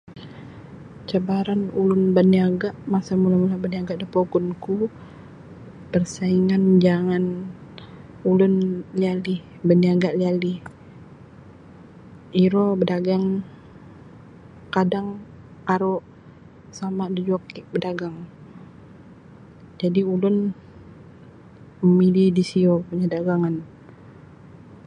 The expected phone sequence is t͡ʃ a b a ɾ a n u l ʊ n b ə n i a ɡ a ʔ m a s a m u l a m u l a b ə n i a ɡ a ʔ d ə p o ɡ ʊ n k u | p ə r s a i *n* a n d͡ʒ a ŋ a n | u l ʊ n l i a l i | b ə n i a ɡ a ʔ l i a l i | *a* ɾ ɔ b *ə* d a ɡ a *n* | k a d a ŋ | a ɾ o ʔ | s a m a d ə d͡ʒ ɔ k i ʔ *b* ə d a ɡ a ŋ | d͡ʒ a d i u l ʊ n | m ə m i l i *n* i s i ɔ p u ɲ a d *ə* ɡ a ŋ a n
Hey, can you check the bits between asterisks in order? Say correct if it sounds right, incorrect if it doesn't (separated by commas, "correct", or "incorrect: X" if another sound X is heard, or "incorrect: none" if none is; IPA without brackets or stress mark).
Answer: incorrect: ŋ, incorrect: i, correct, incorrect: ŋ, correct, incorrect: d, incorrect: a